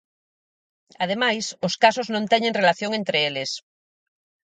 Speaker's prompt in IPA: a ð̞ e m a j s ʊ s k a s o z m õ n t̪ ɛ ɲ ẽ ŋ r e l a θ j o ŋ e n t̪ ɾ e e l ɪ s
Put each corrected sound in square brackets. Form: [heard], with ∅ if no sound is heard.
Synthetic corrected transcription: a ð̞ e m a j s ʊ s k a s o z [n] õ n t̪ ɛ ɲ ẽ ŋ r e l a θ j o ŋ e n t̪ ɾ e e l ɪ s

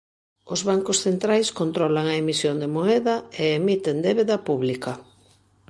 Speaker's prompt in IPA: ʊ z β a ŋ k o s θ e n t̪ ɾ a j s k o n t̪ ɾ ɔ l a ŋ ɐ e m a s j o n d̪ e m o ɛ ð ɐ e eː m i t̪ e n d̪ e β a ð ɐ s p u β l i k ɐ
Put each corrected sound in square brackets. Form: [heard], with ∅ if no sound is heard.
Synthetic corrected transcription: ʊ z β a ŋ k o s θ e n t̪ ɾ a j s k o n t̪ ɾ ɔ l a ŋ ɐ e m [i] s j o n d̪ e m o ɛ ð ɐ e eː m i t̪ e n d̪ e β [e] ð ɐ [∅] p u β l i k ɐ

